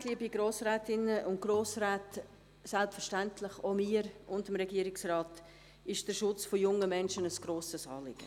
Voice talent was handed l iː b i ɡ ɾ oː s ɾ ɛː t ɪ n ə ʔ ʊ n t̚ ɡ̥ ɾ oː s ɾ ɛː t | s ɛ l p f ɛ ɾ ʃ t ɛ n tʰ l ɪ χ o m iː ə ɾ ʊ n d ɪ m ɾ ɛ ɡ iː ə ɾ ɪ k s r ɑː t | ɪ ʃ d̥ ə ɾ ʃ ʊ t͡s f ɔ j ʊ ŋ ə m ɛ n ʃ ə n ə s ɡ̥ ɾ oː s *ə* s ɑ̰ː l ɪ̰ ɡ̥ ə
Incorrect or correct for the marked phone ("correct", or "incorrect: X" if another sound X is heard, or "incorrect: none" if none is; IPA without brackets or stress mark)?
correct